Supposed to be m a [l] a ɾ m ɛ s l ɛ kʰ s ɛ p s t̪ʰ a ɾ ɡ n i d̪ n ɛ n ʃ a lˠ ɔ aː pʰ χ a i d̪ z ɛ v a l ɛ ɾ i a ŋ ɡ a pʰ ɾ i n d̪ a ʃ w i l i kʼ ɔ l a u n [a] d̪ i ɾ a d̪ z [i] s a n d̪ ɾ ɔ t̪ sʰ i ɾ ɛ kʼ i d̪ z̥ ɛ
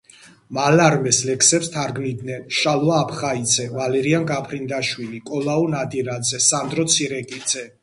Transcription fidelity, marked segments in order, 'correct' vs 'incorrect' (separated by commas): correct, correct, incorrect